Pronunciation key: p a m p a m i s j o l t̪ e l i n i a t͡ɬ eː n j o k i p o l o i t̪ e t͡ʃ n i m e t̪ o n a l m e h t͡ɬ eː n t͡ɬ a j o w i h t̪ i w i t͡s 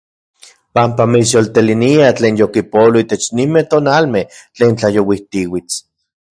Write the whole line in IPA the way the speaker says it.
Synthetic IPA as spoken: p a m p a m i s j o l t̪ e l i n i a t͡ɬ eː n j o k i p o l o i t̪ e t͡ʃ n i m e t̪ o n a l m e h t͡ɬ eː n t͡ɬ a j o w i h t̪ i w i t͡s